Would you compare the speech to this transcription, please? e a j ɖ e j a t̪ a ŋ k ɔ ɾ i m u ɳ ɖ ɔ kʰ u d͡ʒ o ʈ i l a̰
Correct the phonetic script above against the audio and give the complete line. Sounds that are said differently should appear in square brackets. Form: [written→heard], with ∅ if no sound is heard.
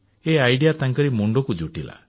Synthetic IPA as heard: e a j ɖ [e→i] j a t̪ a ŋ k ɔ ɾ i m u ɳ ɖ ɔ [kʰ→k] u d͡ʒ [o→u] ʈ i l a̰